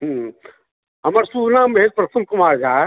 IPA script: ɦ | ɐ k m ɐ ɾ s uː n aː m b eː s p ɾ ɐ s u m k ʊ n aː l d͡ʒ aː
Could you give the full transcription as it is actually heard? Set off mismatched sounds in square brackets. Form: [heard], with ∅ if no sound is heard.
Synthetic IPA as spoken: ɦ | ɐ [∅] m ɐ ɾ s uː n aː m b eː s p ɾ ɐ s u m k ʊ [m] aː [ɾ] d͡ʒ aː